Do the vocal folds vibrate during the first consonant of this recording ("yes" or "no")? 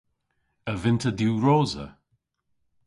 yes